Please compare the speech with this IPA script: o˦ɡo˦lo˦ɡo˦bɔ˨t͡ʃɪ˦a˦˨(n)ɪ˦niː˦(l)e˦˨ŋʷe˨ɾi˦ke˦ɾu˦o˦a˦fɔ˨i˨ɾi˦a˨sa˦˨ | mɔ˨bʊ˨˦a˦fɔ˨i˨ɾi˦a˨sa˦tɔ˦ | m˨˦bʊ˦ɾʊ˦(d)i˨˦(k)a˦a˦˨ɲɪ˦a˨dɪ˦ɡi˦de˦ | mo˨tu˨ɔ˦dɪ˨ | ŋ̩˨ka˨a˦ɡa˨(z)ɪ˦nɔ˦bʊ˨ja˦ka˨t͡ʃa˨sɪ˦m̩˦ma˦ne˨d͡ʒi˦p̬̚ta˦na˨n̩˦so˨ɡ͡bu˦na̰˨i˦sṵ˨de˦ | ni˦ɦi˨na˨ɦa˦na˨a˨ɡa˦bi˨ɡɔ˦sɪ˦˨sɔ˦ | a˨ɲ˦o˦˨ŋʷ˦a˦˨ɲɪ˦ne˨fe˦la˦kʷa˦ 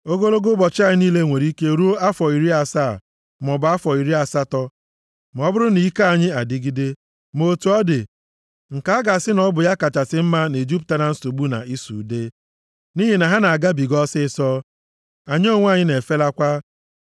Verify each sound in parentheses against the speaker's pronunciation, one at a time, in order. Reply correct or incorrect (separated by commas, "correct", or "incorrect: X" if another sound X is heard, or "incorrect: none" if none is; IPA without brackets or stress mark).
incorrect: ɲ, correct, incorrect: n, correct, incorrect: s